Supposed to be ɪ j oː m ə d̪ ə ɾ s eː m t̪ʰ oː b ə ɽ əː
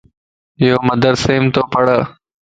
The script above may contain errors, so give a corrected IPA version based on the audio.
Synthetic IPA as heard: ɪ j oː m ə d̪ ə ɾ s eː m t̪ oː p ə ɽ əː